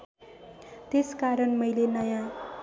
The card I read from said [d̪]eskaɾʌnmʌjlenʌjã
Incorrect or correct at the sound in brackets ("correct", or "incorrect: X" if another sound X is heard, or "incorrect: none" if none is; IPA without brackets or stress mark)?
incorrect: t̪